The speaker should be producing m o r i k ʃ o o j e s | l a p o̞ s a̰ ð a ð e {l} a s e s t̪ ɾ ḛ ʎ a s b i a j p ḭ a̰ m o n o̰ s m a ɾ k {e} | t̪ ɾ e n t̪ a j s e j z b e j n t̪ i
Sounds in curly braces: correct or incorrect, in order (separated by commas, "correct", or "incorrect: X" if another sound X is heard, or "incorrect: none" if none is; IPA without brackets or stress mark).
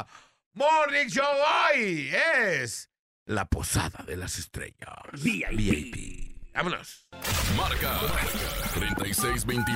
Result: correct, incorrect: a